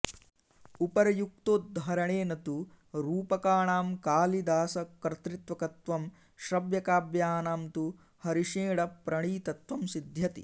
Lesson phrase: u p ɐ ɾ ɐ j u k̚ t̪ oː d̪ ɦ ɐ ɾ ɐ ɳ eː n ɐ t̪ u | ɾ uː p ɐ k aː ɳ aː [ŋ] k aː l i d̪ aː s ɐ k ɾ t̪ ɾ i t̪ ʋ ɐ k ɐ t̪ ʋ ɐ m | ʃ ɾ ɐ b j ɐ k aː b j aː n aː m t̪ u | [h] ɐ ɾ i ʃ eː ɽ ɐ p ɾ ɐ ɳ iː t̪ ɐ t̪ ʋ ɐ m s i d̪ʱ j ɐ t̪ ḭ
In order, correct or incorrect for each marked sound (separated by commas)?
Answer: incorrect, correct